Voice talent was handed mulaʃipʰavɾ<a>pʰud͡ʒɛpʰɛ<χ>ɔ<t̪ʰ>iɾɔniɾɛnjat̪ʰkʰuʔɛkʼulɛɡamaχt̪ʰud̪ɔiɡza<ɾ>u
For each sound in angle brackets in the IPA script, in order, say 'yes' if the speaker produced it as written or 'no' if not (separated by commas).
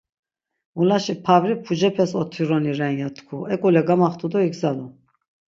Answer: no, no, yes, no